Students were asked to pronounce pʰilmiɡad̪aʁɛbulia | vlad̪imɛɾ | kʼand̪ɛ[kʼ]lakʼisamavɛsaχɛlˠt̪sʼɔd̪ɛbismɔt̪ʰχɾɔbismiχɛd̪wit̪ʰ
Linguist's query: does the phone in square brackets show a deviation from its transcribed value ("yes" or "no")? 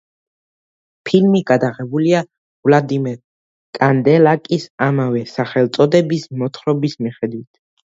yes